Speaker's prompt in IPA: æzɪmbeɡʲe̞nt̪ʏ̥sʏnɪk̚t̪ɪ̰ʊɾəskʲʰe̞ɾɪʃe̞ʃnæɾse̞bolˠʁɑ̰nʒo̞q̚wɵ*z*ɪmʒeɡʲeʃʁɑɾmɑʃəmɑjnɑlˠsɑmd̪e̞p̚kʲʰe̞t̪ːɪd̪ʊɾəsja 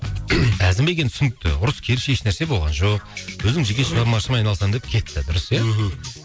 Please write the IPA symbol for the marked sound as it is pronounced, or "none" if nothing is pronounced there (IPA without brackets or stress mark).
z